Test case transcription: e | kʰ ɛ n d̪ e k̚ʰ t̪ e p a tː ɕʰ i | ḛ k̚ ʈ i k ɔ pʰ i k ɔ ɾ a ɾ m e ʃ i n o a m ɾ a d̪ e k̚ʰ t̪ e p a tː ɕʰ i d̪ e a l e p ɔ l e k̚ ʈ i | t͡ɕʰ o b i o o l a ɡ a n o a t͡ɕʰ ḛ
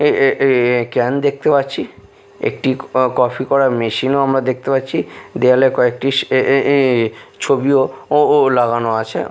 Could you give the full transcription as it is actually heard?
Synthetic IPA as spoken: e | k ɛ n d̪ e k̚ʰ t̪ e p a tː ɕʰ i | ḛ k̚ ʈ i k ɔ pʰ i k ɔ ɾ a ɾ m e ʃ i n o a m ɾ a d̪ e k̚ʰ t̪ e p a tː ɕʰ i d̪ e a l e k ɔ e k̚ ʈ i | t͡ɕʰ o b i o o l a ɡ a n o a t͡ɕʰ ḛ